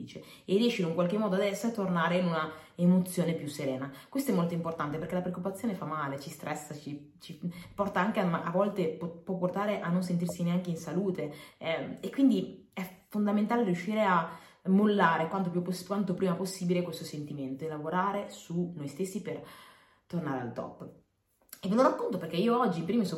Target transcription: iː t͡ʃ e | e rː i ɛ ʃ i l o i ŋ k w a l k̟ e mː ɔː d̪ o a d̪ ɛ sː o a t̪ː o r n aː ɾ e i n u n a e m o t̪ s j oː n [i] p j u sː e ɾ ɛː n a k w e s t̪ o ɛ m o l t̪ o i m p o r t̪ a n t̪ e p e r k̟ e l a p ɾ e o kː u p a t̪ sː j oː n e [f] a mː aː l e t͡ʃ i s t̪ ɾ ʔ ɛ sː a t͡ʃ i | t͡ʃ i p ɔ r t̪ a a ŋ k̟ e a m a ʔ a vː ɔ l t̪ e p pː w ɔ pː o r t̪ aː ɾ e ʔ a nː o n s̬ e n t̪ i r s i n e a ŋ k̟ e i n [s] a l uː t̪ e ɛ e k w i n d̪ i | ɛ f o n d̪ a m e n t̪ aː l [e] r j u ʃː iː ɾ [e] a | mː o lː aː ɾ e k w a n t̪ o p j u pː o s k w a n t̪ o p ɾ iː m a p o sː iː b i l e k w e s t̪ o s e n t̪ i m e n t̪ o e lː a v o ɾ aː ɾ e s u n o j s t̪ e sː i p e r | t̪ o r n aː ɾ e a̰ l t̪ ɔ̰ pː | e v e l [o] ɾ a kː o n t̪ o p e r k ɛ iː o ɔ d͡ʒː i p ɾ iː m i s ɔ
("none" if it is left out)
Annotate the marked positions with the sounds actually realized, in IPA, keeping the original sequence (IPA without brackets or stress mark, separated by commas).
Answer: e, f, s, e, e, o